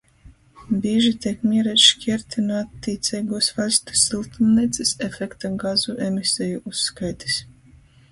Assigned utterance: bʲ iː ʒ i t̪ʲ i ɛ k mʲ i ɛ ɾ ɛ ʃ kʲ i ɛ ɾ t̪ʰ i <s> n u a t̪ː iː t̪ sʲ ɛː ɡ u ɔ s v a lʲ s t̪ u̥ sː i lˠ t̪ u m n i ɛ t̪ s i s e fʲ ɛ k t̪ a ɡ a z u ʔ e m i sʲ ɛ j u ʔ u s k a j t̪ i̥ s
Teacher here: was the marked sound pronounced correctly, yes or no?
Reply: no